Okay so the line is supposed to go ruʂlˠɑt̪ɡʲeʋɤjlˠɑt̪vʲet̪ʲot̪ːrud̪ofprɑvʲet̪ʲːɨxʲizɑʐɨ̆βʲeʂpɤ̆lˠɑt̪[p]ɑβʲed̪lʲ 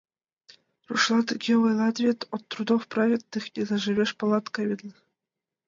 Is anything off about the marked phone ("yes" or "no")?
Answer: yes